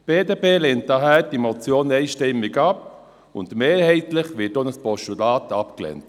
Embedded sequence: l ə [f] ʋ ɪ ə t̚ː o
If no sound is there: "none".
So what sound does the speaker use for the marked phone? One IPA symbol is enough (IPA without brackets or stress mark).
χ